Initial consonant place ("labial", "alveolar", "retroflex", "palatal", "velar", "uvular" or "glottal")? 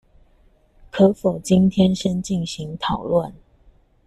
velar